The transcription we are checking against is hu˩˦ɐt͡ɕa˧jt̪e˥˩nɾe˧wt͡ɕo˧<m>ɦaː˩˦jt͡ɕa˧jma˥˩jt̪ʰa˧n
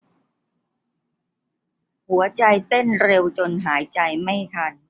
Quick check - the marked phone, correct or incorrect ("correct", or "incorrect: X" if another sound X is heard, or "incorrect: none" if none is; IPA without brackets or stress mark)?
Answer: incorrect: n